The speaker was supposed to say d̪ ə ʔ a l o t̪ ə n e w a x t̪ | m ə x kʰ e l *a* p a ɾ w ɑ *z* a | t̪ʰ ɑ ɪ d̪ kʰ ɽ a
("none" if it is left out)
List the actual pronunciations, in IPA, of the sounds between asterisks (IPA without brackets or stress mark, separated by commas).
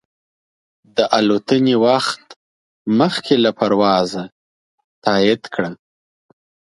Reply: a, z